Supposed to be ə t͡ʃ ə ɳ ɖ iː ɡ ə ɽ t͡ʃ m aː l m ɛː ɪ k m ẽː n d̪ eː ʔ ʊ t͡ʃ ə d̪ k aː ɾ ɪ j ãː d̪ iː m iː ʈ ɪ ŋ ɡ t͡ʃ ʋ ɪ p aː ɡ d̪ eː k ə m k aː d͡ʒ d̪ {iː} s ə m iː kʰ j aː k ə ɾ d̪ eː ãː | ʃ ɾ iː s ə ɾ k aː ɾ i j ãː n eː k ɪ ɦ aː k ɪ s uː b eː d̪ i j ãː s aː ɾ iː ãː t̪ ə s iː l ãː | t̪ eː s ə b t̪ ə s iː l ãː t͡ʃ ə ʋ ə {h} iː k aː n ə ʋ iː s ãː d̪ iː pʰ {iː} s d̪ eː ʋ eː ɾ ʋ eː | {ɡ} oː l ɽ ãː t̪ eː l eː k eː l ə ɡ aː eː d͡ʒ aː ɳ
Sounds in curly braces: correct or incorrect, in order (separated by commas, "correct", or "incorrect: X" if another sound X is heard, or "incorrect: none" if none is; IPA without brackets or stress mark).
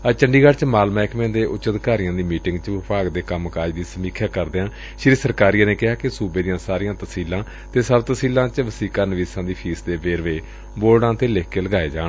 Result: correct, incorrect: s, correct, incorrect: b